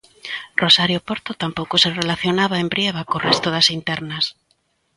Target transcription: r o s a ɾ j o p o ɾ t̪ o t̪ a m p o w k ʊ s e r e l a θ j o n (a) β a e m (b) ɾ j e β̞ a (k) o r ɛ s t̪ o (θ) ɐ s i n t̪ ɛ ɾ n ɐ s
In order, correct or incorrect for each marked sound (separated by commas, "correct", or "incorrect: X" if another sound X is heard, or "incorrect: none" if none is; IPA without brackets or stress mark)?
correct, correct, correct, incorrect: ð